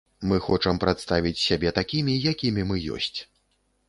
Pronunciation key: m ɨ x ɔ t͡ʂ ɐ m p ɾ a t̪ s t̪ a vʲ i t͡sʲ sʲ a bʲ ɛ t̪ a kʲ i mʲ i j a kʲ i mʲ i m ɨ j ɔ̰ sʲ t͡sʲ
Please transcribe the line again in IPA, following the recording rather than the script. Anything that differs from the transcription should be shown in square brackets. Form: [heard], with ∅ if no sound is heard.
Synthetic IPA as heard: m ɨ x ɔ t͡ʂ ɐ m p ɾ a t̪ s t̪ a vʲ i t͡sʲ sʲ a bʲ ɛ t̪ a kʲ i mʲ i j a kʲ i mʲ i m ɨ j ɔ̰ sʲ t͡sʲ

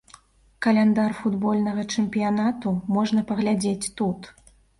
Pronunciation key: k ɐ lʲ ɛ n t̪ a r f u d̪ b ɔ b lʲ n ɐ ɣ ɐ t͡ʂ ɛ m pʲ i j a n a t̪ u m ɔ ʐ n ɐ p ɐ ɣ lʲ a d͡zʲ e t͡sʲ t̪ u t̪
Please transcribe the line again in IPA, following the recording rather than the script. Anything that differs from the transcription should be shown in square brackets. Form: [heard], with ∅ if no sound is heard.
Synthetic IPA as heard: k ɐ lʲ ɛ n [d̪] a r f u d̪ b ɔ [∅] lʲ n ɐ ɣ ɐ t͡ʂ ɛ m pʲ i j a n a t̪ u m ɔ ʐ n ɐ p ɐ ɣ lʲ a d͡zʲ e t͡sʲ t̪ u t̪

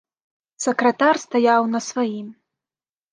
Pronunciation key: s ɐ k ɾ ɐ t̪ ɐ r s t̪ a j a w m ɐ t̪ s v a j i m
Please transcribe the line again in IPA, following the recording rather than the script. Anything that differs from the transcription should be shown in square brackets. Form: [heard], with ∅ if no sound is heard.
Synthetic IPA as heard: s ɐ k ɾ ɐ t̪ [a] r s t̪ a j a w [n] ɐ [∅] s v a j i m

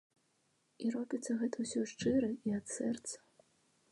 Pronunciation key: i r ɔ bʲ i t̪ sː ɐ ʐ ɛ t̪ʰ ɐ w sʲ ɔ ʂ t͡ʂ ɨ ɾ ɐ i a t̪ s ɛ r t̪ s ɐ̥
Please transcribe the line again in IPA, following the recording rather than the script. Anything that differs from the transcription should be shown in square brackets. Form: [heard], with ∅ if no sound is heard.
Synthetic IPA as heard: i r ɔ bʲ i t̪ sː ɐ [ɣ] ɛ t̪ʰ ɐ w sʲ ɔ ʂ t͡ʂ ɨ ɾ ɐ i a t̪ s ɛ r t̪ s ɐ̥

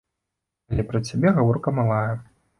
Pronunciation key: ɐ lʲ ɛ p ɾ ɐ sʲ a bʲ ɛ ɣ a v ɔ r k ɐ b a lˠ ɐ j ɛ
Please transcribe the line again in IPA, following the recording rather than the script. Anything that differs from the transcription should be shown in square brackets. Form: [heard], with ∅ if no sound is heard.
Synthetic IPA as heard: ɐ lʲ ɛ p ɾ ɐ [t͡sʲ] a bʲ ɛ ɣ a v ɔ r k ɐ [m] a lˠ [a] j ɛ

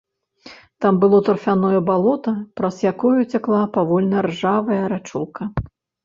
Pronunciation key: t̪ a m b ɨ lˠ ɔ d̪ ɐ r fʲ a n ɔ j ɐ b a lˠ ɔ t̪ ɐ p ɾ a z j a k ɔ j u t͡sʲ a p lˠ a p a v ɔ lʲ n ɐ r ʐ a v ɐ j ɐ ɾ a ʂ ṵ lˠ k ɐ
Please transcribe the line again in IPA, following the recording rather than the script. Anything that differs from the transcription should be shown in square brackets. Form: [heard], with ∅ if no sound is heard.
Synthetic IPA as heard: t̪ a m b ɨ lˠ ɔ [t̪] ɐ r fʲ a n ɔ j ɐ b a lˠ ɔ t̪ ɐ p ɾ [ɐ] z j a k ɔ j u t͡sʲ a [k] lˠ a p a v ɔ lʲ n ɐ r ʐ a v ɐ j ɐ ɾ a [t͡ʂ] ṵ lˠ k ɐ

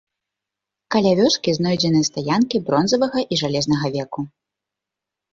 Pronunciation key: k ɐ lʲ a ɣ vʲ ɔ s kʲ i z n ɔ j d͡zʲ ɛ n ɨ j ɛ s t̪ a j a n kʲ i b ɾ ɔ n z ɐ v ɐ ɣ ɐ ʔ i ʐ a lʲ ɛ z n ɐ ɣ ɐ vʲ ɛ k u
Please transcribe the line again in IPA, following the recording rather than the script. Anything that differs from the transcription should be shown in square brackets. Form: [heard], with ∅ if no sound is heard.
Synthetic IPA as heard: k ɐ lʲ a [∅] vʲ ɔ s kʲ i z n ɔ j d͡zʲ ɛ n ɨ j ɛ s t̪ a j a n kʲ i b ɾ ɔ n z ɐ v ɐ ɣ ɐ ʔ i ʐ a lʲ ɛ z n ɐ ɣ ɐ vʲ ɛ k u

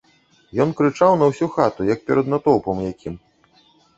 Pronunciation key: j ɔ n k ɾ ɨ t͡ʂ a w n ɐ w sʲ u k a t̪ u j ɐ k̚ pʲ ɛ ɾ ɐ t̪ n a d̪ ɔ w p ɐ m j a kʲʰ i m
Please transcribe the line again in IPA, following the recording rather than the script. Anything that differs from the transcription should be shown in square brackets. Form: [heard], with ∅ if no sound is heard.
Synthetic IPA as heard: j ɔ n k ɾ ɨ t͡ʂ a w n ɐ w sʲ u [x] a t̪ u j ɐ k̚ pʲ ɛ ɾ ɐ [d̪] n a [t̪] ɔ w p ɐ m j a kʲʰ i m

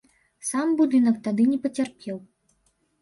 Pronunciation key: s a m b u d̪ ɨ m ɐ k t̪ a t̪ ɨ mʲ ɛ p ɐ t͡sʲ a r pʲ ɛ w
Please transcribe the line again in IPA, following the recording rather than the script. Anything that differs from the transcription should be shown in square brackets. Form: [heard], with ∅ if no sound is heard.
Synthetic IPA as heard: s a m b u d̪ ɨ [n] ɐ k t̪ a [d̪] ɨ [nʲ] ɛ p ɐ t͡sʲ a r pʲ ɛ w

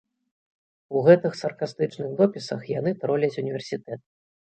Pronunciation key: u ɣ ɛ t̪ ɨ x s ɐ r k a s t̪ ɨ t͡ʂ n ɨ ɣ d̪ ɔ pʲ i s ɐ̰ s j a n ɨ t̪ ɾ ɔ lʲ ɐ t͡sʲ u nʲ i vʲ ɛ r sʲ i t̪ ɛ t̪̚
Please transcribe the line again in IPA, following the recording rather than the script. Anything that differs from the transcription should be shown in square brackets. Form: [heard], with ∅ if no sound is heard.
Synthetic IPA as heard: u ɣ ɛ t̪ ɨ x s ɐ r k a s t̪ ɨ t͡ʂ n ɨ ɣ d̪ ɔ pʲ i s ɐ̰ [x] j a n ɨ t̪ ɾ ɔ lʲ ɐ t͡sʲ u nʲ i vʲ ɛ r sʲ i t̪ ɛ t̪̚

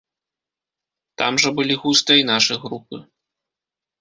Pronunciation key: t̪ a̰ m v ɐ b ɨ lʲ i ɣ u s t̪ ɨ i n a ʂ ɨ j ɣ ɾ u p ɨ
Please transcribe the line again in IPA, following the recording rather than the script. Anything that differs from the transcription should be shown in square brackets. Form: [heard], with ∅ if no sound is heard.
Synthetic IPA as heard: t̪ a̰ m [ʐ] ɐ b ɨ lʲ i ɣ u s t̪ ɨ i n a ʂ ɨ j ɣ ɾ u p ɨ

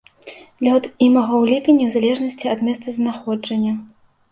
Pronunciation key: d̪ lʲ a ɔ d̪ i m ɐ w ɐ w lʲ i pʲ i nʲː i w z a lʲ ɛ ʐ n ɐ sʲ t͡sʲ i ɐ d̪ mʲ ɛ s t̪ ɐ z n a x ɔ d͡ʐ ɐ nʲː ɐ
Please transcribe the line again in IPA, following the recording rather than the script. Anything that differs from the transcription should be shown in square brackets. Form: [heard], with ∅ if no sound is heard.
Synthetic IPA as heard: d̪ lʲ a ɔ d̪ i m ɐ [ɣ] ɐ w lʲ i pʲ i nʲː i w z a lʲ ɛ ʐ n ɐ sʲ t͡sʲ i ɐ d̪ mʲ ɛ s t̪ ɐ z n a x ɔ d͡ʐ ɐ nʲː ɐ

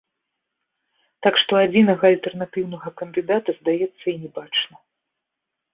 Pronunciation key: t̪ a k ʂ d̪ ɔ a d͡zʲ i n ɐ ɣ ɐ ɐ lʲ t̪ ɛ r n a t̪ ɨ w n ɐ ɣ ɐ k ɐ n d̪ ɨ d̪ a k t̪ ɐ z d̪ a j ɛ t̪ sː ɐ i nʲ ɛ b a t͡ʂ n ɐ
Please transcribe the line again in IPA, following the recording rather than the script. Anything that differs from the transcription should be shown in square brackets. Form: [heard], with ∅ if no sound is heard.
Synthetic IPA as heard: t̪ a k ʂ [t̪] ɔ a d͡zʲ i n ɐ ɣ ɐ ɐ lʲ t̪ ɛ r n a t̪ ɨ w n ɐ ɣ ɐ k ɐ n d̪ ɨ d̪ a [∅] t̪ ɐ z d̪ a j ɛ t̪ sː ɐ i nʲ ɛ b a t͡ʂ n ɐ

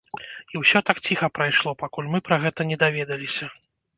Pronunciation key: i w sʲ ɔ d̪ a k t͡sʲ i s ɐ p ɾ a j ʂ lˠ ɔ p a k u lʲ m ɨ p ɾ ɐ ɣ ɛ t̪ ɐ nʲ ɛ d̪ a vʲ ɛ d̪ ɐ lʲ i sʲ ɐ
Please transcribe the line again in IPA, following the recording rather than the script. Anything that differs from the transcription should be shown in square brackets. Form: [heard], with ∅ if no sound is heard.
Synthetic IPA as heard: i w sʲ ɔ [t̪] a k t͡sʲ i [x] ɐ p ɾ a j ʂ lˠ ɔ p a k u lʲ m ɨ p ɾ ɐ ɣ ɛ t̪ ɐ nʲ ɛ d̪ a vʲ ɛ d̪ ɐ lʲ i sʲ ɐ

